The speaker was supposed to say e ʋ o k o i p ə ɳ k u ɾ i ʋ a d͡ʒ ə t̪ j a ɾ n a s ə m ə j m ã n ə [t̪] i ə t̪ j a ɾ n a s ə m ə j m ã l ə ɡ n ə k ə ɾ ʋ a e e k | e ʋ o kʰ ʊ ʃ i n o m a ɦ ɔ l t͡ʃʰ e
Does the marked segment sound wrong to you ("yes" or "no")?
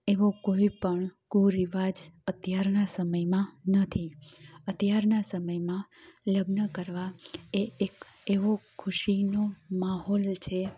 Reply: yes